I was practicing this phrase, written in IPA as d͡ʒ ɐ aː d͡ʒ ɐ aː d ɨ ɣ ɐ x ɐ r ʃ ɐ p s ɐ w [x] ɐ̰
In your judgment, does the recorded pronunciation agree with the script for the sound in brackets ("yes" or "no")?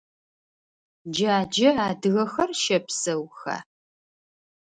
yes